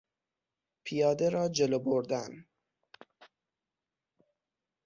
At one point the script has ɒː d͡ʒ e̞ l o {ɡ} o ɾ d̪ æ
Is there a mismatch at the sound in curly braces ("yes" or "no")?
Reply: yes